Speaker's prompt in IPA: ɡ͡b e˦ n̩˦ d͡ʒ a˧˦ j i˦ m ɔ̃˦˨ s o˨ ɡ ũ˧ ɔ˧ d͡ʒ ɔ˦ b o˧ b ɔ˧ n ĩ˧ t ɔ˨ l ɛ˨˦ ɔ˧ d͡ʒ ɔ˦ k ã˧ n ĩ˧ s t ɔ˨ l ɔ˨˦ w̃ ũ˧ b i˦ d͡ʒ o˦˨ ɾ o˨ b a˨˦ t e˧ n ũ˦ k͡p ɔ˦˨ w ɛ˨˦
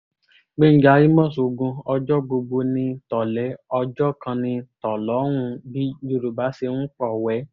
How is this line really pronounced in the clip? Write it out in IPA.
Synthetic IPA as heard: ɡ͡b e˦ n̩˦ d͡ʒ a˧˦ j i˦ m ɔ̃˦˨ s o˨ ɡ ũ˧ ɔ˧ d͡ʒ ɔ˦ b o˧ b o˧ n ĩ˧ t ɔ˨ l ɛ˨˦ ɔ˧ d͡ʒ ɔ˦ k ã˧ n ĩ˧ t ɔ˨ l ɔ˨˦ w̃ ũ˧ b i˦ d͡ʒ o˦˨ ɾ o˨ b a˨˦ s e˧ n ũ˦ k͡p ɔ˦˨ w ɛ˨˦